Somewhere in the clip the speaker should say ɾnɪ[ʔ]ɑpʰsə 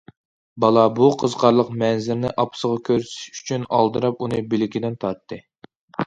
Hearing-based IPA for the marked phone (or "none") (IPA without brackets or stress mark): ʔ